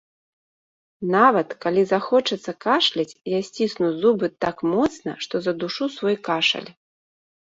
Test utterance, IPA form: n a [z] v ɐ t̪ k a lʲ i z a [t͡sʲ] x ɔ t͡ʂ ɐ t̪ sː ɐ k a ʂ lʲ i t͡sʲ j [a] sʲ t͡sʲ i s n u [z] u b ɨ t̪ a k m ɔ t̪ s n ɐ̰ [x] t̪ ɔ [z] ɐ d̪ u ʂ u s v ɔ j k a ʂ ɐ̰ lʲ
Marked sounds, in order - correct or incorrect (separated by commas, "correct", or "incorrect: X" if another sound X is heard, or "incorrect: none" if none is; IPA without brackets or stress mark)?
incorrect: none, incorrect: none, correct, correct, incorrect: ʂ, correct